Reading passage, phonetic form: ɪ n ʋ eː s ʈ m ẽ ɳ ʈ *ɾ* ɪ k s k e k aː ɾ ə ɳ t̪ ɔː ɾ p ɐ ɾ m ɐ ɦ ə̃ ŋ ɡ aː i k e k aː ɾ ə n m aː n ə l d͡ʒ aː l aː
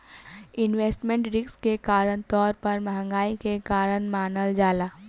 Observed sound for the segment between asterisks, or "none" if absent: ɾ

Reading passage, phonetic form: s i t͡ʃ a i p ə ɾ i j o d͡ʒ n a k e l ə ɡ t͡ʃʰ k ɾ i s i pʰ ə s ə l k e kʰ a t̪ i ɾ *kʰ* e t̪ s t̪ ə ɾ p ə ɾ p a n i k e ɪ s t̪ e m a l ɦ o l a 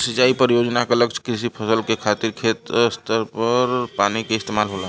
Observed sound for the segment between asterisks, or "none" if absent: kʰ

